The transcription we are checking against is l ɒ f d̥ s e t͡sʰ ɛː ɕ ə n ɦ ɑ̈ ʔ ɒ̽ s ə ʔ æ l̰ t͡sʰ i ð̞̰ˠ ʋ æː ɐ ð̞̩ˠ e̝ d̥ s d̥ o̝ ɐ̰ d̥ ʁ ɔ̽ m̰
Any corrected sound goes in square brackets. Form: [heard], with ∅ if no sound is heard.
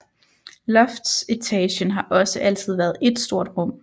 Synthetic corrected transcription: l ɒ f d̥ s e t͡sʰ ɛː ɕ ə n ɦ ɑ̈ ʔ ɒ̽ s ə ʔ æ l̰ t͡sʰ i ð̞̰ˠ ʋ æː ɐ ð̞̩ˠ e̝ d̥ s d̥ o̝ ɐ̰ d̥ ʁ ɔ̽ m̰